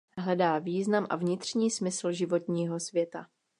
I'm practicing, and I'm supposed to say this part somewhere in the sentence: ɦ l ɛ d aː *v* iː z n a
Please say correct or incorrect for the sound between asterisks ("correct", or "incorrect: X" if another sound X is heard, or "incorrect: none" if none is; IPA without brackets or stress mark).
correct